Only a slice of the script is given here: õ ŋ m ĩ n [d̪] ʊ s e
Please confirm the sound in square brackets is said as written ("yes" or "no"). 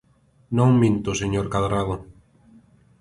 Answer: no